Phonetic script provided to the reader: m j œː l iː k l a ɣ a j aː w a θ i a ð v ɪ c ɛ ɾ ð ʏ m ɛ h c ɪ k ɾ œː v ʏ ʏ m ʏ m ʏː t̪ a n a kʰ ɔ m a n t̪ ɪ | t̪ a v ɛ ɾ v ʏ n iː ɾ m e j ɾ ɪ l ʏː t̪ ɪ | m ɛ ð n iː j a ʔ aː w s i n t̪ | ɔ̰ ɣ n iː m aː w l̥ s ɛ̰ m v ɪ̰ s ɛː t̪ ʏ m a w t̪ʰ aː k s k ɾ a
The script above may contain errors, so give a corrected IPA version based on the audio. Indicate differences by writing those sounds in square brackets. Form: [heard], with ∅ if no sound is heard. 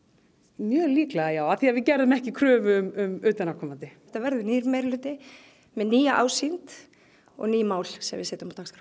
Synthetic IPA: m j œː l iː k l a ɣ a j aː w a θ i a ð v ɪ c ɛ ɾ ð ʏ m ɛ h c ɪ [kʰ] ɾ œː v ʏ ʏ m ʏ m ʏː t̪ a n a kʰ ɔ m a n t̪ ɪ | t̪ a v ɛ ɾ [ð] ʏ n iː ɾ m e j ɾ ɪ l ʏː t̪ ɪ | m ɛ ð n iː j a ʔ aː w s i n t̪ | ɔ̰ ɣ n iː m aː w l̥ s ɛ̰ m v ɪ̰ s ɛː t̪ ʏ m a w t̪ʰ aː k s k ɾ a